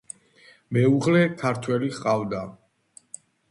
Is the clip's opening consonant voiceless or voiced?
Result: voiced